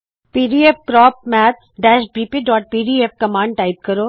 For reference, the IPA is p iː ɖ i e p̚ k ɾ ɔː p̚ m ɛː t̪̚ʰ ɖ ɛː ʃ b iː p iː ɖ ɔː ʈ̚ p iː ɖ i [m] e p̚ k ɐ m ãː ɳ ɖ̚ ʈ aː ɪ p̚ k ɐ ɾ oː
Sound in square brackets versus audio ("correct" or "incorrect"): incorrect